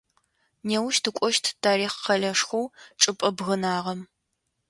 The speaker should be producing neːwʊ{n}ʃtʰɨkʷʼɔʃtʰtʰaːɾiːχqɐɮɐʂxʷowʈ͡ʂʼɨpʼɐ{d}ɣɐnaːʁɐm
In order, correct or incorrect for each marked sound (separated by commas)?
incorrect, incorrect